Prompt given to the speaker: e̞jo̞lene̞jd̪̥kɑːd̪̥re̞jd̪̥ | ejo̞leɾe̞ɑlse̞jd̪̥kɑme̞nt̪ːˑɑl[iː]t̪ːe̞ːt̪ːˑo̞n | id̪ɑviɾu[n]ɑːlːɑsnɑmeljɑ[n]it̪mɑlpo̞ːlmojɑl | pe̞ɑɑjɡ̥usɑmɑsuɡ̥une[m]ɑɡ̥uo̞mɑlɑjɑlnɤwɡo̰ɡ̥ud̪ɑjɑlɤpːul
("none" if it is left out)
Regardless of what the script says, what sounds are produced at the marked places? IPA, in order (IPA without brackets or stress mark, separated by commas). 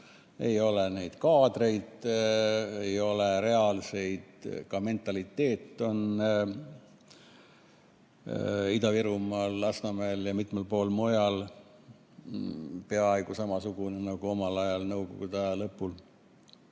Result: i, m, m, n